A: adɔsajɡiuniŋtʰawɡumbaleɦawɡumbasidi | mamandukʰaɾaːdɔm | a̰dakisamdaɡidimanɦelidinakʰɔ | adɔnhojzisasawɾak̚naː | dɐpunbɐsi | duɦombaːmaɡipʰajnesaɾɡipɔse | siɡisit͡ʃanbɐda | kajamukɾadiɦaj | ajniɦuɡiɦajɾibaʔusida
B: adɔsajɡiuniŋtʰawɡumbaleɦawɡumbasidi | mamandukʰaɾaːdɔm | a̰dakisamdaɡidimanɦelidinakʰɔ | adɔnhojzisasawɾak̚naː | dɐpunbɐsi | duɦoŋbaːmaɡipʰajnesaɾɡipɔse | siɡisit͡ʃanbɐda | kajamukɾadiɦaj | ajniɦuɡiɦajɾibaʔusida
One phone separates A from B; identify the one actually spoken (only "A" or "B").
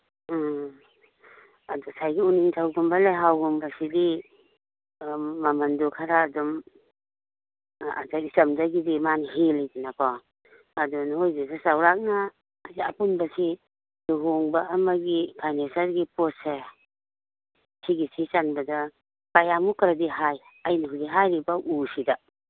B